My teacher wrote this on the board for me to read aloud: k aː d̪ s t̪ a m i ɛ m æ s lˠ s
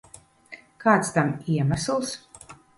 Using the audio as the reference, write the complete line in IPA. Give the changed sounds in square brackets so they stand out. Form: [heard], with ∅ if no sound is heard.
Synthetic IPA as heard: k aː [t̪] s t̪ a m i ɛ m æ s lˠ s